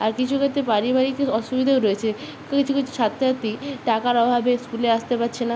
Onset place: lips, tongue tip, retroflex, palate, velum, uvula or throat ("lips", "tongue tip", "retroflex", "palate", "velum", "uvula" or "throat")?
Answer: tongue tip